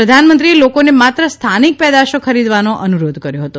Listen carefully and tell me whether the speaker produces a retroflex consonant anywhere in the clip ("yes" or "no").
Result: no